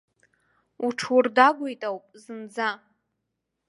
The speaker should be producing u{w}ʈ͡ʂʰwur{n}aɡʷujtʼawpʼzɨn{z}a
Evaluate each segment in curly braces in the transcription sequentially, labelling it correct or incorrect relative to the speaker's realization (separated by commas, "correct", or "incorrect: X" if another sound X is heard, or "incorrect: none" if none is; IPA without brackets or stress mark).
incorrect: none, incorrect: d, incorrect: d͡z